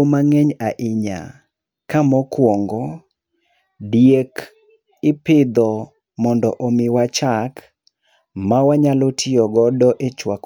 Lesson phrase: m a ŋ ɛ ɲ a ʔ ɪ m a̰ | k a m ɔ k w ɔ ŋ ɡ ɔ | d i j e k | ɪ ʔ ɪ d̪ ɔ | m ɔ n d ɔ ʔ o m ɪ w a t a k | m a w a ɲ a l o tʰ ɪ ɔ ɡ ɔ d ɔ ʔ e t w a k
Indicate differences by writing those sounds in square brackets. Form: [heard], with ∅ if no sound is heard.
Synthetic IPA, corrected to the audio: m a ŋ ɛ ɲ a ʔ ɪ [ɲ] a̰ | k a m ɔ k w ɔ ŋ ɡ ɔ | d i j e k | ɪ [p] ɪ d̪ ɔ | m ɔ n d ɔ ʔ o m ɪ w a [t͡ʃ] a k | m a w a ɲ a l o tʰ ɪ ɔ ɡ ɔ d ɔ ʔ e [t͡ʃ] w a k

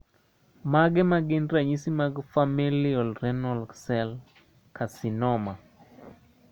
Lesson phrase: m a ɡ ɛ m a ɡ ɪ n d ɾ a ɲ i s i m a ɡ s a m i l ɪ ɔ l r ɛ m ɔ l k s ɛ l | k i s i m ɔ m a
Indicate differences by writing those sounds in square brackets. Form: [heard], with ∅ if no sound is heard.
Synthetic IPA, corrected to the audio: m a ɡ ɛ m a ɡ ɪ n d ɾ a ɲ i s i m a ɡ [f] a m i l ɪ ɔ l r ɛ [n] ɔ l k s ɛ l | k [a] s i [n] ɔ m a

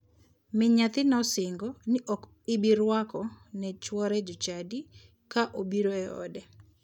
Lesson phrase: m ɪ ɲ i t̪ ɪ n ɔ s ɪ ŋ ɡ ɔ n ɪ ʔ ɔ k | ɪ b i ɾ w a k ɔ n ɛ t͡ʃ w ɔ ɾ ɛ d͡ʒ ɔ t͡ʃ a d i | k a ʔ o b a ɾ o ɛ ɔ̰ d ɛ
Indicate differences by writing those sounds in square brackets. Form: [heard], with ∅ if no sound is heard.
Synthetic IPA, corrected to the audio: m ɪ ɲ [a] t̪ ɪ n ɔ s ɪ ŋ ɡ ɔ n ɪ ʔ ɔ k | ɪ b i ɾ w a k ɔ n ɛ t͡ʃ w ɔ ɾ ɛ d͡ʒ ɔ t͡ʃ a d i | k a ʔ o b [i] ɾ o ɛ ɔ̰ d ɛ

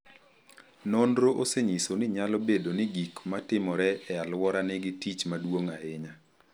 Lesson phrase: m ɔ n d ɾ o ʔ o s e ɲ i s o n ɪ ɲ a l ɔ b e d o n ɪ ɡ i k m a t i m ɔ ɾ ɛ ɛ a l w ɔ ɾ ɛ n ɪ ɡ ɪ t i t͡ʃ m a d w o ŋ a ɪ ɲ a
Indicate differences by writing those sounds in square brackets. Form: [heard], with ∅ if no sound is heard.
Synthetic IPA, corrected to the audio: [n] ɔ n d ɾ o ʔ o s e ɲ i s o n ɪ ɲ a l ɔ b e d o n ɪ ɡ i k m a t [ɪ] m ɔ ɾ ɛ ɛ a l w ɔ ɾ [a] n ɪ ɡ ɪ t i t͡ʃ m a d w o ŋ a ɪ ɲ a

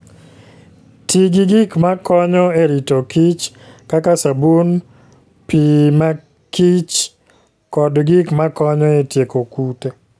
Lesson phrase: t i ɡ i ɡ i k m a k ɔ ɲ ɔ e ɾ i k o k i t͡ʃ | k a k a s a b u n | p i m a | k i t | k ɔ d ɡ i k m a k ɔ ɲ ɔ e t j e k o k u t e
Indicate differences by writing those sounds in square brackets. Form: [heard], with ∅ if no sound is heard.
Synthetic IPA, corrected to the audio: t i ɡ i ɡ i k m a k ɔ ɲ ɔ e ɾ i [t] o k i t͡ʃ | k a k a s a b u n | p i m a | k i [t͡ʃ] | k ɔ d ɡ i k m a k ɔ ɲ ɔ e t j e k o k u t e

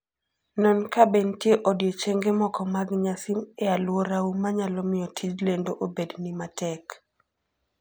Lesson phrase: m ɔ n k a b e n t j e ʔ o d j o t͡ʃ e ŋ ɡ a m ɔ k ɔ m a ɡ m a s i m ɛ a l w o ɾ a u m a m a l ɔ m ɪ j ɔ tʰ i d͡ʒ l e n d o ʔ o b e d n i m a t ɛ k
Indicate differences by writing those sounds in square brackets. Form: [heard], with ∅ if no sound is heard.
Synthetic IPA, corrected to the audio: [n] ɔ n k a b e n t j e ʔ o d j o t͡ʃ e ŋ ɡ [e] m ɔ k ɔ m a ɡ [ɲ] a s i m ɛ a l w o ɾ a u m a [ɲ] a l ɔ m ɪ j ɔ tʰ i d͡ʒ l e n d o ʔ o b e d n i m a t ɛ k

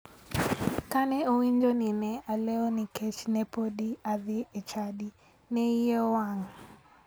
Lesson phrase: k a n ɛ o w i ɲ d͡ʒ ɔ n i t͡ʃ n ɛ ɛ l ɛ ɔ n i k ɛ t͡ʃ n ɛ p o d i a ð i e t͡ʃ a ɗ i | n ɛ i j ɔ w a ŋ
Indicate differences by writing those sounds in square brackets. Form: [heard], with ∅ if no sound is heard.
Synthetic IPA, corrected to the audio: k a n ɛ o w i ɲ d͡ʒ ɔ n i [∅] n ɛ [a] l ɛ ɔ n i k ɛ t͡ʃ n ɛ p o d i a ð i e t͡ʃ a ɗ i | n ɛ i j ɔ w a ŋ

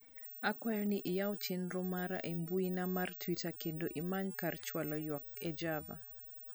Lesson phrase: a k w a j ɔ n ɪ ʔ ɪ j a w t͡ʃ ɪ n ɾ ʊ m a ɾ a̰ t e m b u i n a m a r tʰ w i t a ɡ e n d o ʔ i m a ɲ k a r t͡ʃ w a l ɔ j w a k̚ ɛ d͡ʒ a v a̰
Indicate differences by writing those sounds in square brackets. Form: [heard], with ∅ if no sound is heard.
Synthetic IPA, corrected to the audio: a k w a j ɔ n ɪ ʔ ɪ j a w t͡ʃ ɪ n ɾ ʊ m a ɾ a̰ [ʔ] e m b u i n a m a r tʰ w i t a [k] e n d o ʔ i m a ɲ k a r t͡ʃ w a l ɔ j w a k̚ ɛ d͡ʒ a v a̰

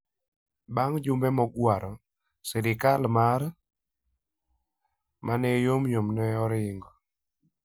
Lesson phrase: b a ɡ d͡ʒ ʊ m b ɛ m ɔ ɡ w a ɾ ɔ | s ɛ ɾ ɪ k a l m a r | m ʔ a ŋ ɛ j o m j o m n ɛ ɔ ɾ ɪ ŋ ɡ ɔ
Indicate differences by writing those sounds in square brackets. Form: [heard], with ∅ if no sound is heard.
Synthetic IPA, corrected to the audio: b a [ŋ] d͡ʒ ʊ m b ɛ m ɔ ɡ w a ɾ ɔ | s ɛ ɾ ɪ k a l m a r | m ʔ a [n] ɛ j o m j o m n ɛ ɔ ɾ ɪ ŋ ɡ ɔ

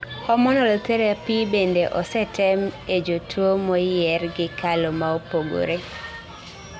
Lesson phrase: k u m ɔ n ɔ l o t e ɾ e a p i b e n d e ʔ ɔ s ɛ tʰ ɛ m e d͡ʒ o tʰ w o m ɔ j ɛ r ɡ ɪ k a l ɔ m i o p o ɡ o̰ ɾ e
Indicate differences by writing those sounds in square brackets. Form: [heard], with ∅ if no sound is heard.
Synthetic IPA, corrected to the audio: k [ɔ] m ɔ n ɔ l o t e ɾ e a p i b e n d e ʔ ɔ s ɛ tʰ ɛ m e d͡ʒ o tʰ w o m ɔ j ɛ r ɡ ɪ k a l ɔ m [a] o p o ɡ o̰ ɾ e

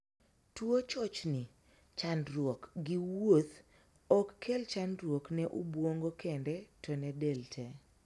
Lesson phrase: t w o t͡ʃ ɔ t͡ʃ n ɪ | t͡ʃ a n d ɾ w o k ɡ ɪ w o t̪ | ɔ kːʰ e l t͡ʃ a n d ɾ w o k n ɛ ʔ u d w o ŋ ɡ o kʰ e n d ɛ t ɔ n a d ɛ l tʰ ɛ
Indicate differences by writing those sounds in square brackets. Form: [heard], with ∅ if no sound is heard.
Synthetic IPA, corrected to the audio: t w o t͡ʃ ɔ t͡ʃ n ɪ | t͡ʃ a n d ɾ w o k ɡ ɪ w o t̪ | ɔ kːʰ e l t͡ʃ a n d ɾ w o k n ɛ ʔ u [b] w o ŋ ɡ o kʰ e n d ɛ t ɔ n [ɛ] d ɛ l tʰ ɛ

